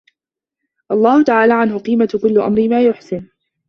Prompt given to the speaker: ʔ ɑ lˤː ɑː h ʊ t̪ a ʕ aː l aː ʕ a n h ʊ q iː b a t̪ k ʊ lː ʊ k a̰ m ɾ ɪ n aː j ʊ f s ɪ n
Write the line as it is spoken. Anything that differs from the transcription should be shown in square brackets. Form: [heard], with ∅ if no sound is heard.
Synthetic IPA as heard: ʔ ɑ lˤː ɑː h ʊ t̪ a ʕ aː l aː ʕ a n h ʊ q iː [m] a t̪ k ʊ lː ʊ [ʔ] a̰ m ɾ ɪ [m] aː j ʊ [ħ] s ɪ n